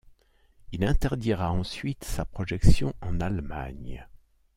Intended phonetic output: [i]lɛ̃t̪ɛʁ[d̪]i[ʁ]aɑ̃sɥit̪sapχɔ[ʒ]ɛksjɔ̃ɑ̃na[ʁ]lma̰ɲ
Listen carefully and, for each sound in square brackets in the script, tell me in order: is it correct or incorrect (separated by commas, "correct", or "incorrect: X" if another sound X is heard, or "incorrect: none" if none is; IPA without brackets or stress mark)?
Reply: correct, correct, correct, correct, incorrect: none